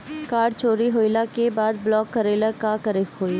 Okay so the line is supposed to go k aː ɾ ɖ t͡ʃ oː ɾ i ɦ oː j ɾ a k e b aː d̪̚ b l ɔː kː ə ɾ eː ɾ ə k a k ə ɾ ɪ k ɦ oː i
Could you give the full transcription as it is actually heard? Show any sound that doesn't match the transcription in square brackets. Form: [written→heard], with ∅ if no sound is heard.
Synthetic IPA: k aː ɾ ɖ t͡ʃ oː ɾ i ɦ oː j [ɾ→l] a k e b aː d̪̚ b l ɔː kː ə ɾ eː [ɾ→l] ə k a k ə ɾ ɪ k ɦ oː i